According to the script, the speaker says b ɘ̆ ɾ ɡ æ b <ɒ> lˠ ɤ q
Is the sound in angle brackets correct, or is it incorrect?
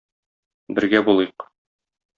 incorrect